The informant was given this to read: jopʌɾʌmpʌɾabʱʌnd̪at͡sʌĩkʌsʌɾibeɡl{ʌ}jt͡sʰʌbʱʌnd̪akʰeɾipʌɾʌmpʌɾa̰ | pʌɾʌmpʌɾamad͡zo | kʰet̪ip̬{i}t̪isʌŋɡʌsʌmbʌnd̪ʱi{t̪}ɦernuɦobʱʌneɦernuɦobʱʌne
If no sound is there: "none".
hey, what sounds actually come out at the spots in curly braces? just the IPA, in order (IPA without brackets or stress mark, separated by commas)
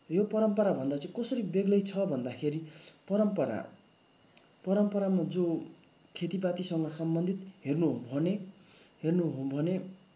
ʌ, a, t̪